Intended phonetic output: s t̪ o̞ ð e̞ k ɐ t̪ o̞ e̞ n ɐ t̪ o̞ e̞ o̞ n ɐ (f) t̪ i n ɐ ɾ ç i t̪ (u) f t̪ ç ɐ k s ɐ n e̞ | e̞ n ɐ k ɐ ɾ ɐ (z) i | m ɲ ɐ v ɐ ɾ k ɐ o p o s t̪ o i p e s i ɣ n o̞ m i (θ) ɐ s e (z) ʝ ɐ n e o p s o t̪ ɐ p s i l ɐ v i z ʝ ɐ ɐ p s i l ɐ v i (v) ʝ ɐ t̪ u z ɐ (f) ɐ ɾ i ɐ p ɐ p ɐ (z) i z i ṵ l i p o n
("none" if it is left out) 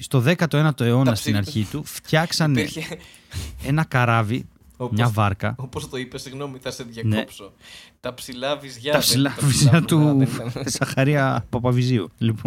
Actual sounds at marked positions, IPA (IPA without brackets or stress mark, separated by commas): s, u, v, θ, ð, z, x, v